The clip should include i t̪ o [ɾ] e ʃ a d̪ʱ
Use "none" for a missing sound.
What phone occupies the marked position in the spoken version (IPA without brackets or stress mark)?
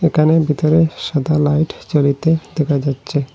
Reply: ɾ